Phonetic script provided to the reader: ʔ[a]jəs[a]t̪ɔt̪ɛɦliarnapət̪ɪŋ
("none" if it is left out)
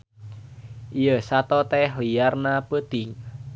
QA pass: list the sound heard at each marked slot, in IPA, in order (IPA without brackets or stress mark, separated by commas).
i, a